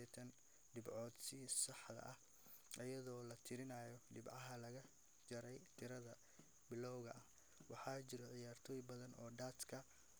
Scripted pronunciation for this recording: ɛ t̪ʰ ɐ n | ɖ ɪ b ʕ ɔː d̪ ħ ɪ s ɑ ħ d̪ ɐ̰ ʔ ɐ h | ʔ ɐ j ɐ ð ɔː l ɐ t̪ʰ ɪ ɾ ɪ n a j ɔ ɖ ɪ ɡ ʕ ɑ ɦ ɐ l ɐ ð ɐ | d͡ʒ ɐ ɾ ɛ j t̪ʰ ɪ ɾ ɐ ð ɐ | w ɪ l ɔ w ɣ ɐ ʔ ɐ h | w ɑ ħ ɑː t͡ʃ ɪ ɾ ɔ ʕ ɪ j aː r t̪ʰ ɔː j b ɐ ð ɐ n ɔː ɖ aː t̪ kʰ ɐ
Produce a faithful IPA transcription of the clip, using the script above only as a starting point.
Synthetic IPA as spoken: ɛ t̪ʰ ɐ n | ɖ ɪ b ʕ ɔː d̪ s ɪ s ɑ ħ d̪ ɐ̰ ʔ ɐ h | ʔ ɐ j ɐ ð ɔː l ɐ t̪ʰ ɪ ɾ ɪ n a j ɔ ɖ ɪ b ʕ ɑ ɦ ɐ l ɐ ɣ ɐ | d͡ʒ ɐ ɾ ɛ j t̪ʰ ɪ ɾ ɐ ð ɐ | b ɪ l ɔ w ɣ ɐ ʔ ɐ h | w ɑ ħ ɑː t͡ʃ ɪ ɾ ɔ ʕ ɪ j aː r t̪ʰ ɔː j b ɐ ð ɐ n ɔː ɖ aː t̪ kʰ ɐ